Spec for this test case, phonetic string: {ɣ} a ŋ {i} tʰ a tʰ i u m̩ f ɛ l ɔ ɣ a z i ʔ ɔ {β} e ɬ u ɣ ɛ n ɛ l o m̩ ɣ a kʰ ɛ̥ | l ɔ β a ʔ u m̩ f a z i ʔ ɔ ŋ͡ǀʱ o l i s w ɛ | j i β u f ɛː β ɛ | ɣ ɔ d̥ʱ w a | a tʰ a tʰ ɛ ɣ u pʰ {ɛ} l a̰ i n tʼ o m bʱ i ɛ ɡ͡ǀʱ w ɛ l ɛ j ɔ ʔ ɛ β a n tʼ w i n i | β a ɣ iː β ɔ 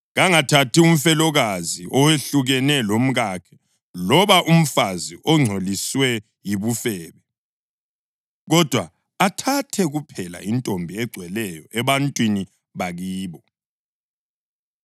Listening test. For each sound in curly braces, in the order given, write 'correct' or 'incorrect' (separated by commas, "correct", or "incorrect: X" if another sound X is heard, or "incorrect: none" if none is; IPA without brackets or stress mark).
correct, incorrect: a, incorrect: w, correct